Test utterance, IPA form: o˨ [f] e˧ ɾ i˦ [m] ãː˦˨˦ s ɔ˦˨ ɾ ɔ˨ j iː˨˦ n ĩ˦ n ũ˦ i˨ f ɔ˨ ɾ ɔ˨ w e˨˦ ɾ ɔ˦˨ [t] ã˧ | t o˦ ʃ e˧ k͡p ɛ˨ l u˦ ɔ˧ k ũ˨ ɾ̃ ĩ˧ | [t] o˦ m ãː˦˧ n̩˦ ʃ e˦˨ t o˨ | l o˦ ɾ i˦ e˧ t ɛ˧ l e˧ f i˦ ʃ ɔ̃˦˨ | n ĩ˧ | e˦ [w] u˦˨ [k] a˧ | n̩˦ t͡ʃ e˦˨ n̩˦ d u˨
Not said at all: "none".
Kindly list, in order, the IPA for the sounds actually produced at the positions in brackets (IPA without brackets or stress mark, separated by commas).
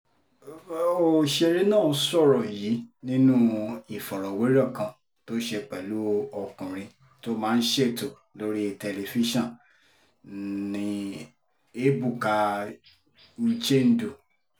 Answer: ʃ, n, k, t, b, k